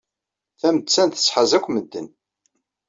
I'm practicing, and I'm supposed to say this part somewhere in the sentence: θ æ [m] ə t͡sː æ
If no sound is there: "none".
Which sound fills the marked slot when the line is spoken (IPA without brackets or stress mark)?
m